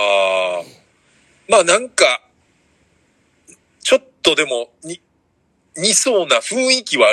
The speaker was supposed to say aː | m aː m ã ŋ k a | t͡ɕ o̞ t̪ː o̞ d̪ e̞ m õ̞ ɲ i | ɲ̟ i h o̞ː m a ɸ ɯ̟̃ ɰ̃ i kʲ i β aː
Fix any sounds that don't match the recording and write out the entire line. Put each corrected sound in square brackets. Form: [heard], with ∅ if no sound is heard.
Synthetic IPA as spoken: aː | m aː [n] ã ŋ k a | t͡ɕ o̞ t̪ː o̞ d̪ e̞ m [o̞] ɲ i | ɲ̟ i [s] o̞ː [n] a ɸ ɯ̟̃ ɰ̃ i kʲ i β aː